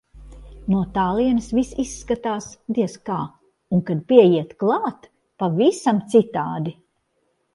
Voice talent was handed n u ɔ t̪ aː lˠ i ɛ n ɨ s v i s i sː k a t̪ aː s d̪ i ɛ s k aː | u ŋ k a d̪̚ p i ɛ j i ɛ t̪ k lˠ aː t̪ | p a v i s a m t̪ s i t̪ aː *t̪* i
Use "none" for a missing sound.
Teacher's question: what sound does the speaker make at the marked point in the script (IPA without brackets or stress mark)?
d̪